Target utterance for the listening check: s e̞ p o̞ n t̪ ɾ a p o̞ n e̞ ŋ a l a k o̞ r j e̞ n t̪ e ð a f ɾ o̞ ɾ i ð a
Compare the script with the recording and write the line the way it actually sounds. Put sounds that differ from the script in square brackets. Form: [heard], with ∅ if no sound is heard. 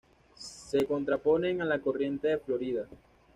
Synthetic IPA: s e̞ [k] o̞ n t̪ ɾ a p o̞ n e̞ ŋ a l a k o̞ r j e̞ n t̪ e ð [e] f [l] o̞ ɾ i ð a